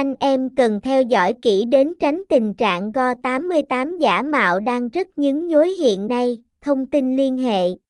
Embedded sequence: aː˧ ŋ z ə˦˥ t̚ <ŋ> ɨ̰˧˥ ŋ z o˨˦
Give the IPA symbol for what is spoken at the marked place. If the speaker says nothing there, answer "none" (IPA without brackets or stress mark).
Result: ɲ